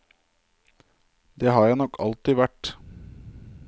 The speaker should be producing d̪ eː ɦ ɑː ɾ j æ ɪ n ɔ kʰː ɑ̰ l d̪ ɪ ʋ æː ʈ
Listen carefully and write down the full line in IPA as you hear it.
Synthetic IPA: d̪ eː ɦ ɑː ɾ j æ ɪ n ɔ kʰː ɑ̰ l t̪ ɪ ʋ æ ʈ